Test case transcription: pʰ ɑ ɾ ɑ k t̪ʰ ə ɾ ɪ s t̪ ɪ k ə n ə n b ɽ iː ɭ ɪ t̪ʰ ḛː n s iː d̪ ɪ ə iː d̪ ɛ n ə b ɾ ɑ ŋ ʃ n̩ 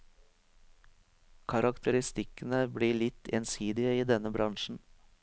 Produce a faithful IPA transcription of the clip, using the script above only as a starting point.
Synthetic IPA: kʰ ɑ ɾ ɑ k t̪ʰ ə ɾ ɪ s t̪ ɪ k ə n ə b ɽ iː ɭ ɪ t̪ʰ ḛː n s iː d̪ ɪ ə iː d̪ ɛ n ə b ɾ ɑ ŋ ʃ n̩